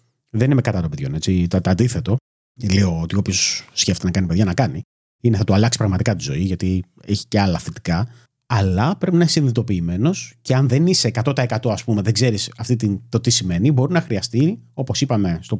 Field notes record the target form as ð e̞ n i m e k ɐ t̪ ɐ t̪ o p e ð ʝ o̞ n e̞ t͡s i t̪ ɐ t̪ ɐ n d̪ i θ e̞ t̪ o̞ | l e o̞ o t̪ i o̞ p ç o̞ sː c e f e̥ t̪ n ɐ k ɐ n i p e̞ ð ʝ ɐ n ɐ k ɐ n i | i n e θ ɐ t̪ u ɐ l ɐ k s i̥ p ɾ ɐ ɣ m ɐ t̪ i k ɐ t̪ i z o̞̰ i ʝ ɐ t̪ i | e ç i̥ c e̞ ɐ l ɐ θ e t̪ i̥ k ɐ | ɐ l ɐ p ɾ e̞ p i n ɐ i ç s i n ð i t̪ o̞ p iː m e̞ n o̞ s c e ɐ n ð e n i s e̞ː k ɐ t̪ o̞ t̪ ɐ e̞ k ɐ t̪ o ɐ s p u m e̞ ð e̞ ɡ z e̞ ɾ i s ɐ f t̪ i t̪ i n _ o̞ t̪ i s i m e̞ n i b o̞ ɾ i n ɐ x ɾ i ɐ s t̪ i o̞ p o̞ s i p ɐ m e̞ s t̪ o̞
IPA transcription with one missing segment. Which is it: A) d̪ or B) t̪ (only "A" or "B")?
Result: B